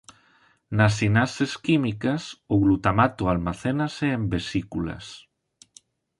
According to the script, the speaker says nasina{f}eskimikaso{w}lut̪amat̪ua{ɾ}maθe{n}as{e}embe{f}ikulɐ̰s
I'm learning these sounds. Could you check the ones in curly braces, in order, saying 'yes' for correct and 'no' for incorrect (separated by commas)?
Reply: no, no, no, yes, yes, no